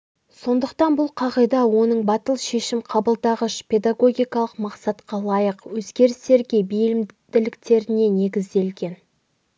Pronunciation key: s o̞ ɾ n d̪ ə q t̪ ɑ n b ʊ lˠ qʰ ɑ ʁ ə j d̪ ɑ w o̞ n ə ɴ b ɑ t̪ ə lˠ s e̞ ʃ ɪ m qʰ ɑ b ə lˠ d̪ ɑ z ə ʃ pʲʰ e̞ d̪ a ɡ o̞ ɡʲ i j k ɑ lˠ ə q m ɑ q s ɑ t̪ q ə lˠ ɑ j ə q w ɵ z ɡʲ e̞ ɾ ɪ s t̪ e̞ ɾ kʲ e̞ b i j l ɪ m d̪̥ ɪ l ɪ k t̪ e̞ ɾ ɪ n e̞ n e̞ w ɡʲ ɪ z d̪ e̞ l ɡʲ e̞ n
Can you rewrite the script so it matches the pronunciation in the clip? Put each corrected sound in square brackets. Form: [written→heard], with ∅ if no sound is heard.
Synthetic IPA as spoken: s o̞ [ɾ→∅] n d̪ ə q t̪ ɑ n b ʊ lˠ qʰ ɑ ʁ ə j d̪ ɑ w o̞ n ə ɴ b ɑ t̪ ə lˠ [s→ʃ] e̞ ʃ ɪ m qʰ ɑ b ə lˠ d̪ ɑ [z→ʁ] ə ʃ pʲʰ e̞ d̪ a ɡ o̞ ɡʲ i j k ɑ lˠ ə q m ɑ q s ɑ t̪ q [ə→ɑ] lˠ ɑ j ə q w ɵ z ɡʲ e̞ ɾ ɪ s t̪ e̞ ɾ [kʲ→ɡʲ] e̞ b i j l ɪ m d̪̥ ɪ l ɪ k t̪ e̞ ɾ ɪ n e̞ n e̞ [w→∅] ɡʲ ɪ z d̪ e̞ l ɡʲ e̞ n